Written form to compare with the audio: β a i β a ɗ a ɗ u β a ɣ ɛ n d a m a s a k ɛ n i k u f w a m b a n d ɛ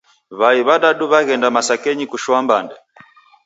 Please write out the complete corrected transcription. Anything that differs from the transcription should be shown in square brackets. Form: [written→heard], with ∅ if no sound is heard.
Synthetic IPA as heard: β a i β a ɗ a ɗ u β a ɣ ɛ n d a m a s a k ɛ [n→ɲ] i k u [f→ʃ] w a m b a n d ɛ